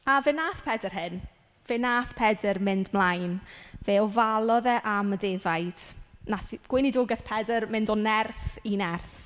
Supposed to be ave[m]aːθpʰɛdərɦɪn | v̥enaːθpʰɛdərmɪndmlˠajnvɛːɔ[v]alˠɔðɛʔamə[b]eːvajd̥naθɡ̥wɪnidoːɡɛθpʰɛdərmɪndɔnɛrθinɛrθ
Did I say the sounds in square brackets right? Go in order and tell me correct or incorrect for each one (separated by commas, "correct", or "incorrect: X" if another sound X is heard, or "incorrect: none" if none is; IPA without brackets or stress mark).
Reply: incorrect: n, correct, incorrect: d